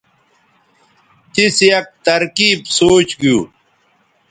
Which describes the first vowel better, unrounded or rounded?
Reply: unrounded